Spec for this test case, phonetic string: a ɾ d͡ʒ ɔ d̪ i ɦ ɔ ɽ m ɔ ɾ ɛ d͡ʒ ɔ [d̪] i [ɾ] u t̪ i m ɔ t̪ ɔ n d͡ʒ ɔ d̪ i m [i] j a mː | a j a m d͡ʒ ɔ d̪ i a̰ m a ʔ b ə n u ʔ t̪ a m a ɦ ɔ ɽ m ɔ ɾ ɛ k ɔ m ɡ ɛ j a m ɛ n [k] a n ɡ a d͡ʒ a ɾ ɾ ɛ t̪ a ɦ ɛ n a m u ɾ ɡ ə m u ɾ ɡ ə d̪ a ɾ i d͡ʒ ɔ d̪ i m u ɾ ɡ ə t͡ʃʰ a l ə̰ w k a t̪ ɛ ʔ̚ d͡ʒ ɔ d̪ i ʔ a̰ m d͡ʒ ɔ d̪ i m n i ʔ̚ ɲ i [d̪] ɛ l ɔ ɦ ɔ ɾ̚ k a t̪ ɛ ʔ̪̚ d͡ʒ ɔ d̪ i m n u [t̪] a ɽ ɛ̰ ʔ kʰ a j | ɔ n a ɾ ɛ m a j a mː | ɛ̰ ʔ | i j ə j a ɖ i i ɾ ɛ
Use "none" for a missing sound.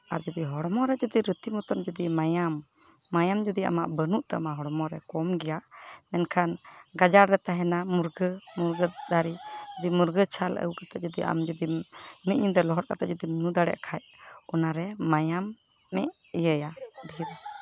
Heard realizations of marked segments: d̪, ɾ, a, kʰ, d̪, d̪

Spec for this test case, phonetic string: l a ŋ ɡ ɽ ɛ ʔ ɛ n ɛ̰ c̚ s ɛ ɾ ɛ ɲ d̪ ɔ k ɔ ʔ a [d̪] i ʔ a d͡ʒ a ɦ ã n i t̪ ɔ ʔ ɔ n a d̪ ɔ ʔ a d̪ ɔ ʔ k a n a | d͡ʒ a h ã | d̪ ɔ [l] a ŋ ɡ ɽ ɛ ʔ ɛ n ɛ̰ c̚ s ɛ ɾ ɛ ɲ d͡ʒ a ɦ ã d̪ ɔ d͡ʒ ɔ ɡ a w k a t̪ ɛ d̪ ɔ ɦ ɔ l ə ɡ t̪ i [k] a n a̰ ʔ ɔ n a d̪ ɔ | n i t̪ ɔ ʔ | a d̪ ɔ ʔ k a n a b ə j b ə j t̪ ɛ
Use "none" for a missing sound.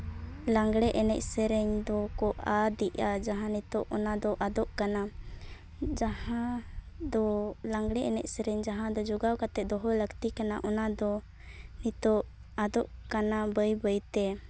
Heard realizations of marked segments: d̪, l, k

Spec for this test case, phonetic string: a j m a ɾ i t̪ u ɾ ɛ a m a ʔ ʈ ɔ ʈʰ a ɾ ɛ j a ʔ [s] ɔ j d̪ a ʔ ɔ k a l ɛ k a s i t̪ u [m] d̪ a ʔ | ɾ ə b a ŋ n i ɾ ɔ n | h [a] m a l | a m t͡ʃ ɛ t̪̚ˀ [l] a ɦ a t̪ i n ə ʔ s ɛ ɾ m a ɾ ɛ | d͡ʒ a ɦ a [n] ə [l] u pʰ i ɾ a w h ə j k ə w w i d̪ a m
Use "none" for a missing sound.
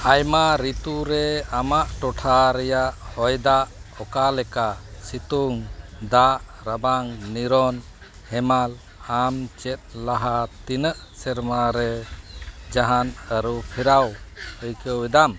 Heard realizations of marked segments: h, ŋ, ɛ, l, n, ɾ

